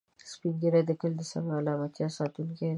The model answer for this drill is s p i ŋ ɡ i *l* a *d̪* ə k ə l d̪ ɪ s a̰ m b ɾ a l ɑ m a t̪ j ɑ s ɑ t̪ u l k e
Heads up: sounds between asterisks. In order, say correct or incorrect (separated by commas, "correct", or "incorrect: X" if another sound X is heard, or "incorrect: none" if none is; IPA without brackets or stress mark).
incorrect: ɾ, correct